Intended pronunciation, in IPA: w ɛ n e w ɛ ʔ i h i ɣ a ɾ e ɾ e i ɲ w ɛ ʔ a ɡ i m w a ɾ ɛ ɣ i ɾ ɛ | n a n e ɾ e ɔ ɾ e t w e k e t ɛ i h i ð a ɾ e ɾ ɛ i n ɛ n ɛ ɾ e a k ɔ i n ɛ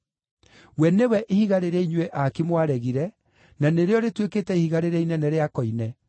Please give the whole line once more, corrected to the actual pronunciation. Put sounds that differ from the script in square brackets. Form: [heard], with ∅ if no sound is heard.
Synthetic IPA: w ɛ n e w ɛ ʔ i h i ɣ a ɾ e ɾ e i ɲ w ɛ ʔ a [k] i m w a ɾ ɛ ɣ i ɾ ɛ | n a n e ɾ e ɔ ɾ e t w e k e t ɛ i h i [ɣ] a ɾ e ɾ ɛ i n ɛ n ɛ ɾ e a k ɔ i n ɛ